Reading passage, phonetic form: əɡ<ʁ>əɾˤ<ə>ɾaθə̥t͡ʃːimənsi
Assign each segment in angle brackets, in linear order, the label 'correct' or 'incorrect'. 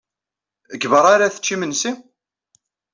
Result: incorrect: v, incorrect: a

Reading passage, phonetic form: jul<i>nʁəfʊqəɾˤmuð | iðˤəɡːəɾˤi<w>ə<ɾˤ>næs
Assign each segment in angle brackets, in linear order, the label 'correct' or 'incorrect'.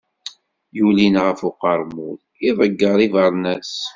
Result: correct, incorrect: v, correct

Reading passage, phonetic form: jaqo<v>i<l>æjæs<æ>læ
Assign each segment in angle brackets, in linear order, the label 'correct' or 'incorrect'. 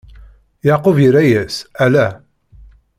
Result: correct, incorrect: ɾ, correct

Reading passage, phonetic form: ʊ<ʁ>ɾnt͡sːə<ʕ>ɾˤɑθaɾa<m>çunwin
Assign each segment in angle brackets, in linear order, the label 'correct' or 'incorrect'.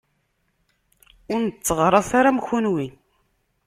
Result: incorrect: none, incorrect: ʁ, correct

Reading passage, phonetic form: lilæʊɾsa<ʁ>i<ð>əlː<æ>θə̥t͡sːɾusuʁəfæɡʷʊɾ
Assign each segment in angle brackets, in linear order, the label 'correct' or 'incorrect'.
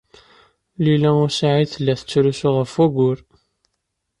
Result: incorrect: ʕ, incorrect: θ, correct

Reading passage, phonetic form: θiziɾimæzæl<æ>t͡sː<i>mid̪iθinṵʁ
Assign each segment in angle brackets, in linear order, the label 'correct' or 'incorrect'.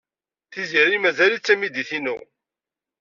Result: incorrect: i, incorrect: æ

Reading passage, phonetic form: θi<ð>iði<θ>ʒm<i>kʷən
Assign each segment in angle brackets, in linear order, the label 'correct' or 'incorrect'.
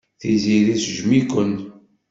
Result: incorrect: z, incorrect: s, correct

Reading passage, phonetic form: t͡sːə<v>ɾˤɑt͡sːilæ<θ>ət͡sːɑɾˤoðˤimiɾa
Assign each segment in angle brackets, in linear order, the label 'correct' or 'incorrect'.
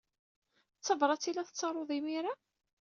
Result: correct, correct

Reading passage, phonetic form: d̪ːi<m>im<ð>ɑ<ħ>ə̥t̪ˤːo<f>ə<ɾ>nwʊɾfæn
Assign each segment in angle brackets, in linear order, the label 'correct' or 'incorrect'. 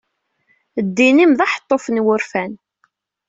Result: incorrect: n, correct, correct, correct, incorrect: none

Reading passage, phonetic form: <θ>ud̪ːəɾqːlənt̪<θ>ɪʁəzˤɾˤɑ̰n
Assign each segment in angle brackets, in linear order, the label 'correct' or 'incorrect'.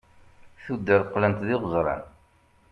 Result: correct, incorrect: ð

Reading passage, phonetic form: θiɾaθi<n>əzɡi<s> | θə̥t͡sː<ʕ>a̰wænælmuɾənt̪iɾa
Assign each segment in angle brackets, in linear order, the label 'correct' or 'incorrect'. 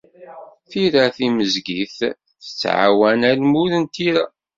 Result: incorrect: m, incorrect: θ, correct

